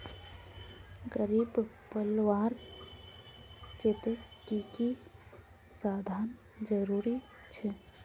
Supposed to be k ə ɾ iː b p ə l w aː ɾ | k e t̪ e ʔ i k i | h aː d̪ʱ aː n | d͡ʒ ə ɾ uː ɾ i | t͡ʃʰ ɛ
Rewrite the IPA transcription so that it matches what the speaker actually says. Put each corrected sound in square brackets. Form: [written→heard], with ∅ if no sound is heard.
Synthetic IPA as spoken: [k→ɡ] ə ɾ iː b p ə l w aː ɾ | k e t̪ e [ʔ→k] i k i | [h→s] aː d̪ʱ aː n | d͡ʒ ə ɾ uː ɾ i | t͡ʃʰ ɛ